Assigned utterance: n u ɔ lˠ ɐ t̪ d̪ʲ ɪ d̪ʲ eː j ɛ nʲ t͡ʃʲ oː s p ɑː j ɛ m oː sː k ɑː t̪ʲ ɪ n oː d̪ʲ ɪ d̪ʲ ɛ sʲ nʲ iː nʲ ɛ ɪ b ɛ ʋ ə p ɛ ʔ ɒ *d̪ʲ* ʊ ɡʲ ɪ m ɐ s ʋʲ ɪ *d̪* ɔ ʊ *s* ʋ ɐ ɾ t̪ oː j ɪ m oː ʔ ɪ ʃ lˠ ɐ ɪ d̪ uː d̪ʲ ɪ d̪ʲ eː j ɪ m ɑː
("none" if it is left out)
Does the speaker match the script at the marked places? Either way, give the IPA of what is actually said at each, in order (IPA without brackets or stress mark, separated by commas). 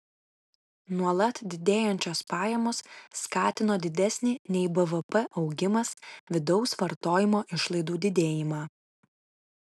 none, d̪, s